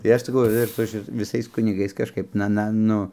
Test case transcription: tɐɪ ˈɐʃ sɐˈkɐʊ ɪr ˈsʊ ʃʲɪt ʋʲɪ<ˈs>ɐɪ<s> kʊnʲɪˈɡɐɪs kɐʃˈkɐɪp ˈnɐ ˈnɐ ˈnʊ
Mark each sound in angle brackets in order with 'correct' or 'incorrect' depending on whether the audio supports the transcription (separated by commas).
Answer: correct, correct